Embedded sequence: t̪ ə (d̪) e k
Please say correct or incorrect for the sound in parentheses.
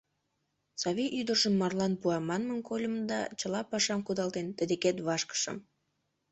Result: correct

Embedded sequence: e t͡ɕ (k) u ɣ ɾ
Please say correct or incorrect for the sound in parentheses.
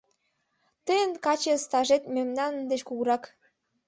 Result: correct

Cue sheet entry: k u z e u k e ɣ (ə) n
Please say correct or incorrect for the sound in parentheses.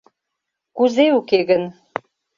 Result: correct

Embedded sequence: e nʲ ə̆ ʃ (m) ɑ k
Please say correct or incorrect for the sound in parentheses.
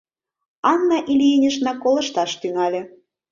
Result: incorrect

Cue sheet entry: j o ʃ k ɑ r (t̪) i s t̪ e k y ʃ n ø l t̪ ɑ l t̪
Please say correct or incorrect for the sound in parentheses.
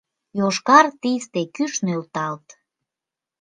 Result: correct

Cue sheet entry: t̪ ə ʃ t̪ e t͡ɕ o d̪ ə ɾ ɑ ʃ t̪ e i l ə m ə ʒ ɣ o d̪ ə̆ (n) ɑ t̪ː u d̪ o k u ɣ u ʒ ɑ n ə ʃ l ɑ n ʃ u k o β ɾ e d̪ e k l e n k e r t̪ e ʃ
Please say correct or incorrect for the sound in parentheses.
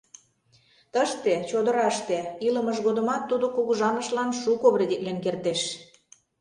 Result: incorrect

